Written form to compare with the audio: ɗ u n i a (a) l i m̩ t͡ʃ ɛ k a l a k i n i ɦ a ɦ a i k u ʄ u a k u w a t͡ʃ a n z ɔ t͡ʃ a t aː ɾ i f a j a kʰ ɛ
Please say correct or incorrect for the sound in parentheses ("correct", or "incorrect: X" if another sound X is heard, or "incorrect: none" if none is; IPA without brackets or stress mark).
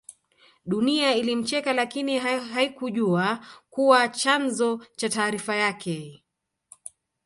incorrect: i